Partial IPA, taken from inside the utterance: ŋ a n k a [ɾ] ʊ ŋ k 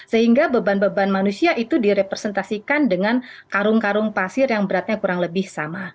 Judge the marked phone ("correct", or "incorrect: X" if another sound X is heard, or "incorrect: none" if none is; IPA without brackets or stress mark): correct